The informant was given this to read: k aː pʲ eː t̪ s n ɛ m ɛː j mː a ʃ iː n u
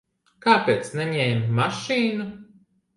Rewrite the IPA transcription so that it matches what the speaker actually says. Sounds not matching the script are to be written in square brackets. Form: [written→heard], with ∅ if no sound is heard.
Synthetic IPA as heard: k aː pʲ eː t̪ s n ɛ [m→ɲ] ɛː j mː a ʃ iː n u